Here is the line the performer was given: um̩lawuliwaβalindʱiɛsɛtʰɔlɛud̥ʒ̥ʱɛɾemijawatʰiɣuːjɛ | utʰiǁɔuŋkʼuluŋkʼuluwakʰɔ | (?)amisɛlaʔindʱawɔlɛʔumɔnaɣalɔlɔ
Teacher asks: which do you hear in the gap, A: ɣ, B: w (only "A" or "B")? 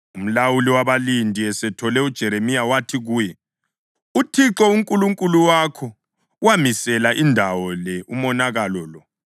B